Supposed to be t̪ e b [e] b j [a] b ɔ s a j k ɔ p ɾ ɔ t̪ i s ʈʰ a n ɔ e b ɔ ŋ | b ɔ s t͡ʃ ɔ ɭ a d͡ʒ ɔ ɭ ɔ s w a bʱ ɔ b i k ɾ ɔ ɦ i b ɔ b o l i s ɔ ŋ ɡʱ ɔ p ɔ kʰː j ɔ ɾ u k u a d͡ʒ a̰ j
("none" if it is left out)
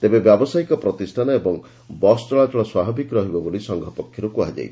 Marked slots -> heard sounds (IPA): e, a

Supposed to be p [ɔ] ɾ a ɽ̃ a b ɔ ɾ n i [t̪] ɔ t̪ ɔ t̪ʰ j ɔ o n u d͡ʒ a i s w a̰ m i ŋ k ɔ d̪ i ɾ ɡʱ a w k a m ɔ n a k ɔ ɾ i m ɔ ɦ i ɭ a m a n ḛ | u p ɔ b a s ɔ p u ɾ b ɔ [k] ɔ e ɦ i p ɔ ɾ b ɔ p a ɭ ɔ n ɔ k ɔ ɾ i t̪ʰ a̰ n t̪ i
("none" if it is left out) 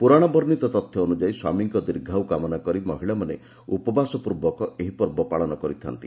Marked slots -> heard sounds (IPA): u, t̪, k

